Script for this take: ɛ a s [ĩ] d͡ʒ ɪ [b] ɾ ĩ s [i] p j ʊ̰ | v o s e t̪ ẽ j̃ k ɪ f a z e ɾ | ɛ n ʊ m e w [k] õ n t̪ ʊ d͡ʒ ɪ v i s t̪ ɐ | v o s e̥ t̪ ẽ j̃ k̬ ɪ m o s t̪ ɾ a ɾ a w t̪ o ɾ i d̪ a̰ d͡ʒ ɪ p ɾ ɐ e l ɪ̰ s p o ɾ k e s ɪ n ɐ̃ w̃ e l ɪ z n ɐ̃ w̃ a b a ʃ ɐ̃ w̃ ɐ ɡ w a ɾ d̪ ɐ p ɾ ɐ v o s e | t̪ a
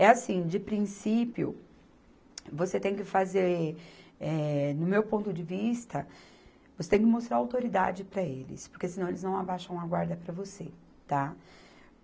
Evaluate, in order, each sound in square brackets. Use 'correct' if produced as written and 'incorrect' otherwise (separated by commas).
correct, incorrect, correct, incorrect